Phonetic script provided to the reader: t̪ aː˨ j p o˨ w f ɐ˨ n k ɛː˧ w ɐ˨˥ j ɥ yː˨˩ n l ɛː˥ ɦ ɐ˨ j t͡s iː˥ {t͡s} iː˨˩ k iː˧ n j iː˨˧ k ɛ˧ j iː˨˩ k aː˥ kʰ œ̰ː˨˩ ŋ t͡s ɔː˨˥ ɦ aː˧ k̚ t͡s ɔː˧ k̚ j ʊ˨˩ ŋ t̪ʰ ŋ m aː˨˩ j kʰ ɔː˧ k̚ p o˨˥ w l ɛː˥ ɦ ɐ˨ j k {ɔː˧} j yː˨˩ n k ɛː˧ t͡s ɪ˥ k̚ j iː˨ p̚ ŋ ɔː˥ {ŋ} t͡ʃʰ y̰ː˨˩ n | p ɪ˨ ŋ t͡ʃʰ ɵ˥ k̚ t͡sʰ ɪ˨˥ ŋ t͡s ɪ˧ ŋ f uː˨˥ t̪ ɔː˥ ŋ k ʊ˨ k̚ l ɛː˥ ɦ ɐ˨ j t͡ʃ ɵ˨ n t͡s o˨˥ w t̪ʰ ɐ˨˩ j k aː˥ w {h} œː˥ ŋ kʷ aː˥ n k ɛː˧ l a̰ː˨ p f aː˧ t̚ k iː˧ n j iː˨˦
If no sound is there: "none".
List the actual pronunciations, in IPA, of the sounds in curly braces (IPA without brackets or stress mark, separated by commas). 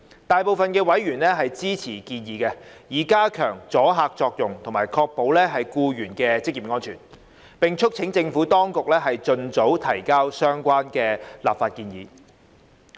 t͡sʰ, uː˧, n, s